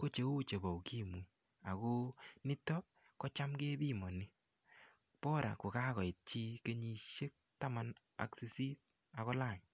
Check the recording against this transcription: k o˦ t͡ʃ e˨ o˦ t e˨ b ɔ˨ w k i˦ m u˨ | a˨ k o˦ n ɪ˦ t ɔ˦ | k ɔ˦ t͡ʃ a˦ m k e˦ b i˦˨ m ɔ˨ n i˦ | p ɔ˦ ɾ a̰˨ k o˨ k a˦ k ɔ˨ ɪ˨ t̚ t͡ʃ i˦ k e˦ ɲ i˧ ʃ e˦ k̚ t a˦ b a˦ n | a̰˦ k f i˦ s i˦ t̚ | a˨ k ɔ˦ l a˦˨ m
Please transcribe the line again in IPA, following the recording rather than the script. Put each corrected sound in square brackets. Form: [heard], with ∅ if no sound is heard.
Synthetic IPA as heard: k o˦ t͡ʃ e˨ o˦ [t͡ʃ] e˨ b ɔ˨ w k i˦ m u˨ | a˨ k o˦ n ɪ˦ t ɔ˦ | k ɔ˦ t͡ʃ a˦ m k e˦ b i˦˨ m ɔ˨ n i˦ | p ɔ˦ ɾ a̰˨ k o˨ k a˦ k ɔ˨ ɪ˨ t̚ t͡ʃ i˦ k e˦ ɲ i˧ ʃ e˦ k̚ t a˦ [m] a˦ n | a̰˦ k [s] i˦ s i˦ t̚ | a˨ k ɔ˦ l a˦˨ [ɲ]